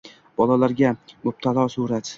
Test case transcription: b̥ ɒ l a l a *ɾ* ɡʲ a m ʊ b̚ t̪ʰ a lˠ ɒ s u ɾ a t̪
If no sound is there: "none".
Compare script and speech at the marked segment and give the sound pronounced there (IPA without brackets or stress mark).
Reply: ɾ